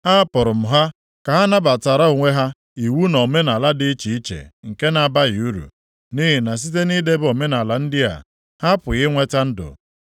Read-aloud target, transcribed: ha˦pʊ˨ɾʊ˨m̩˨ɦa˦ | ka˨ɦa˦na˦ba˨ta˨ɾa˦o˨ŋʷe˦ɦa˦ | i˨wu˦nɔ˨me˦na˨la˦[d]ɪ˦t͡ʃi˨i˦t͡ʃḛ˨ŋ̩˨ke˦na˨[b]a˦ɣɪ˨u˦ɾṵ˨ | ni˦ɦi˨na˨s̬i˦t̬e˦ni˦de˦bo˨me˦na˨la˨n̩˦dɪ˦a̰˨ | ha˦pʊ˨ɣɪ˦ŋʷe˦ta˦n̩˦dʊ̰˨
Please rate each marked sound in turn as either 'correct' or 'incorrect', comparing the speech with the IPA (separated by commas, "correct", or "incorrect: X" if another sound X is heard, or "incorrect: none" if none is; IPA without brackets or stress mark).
correct, correct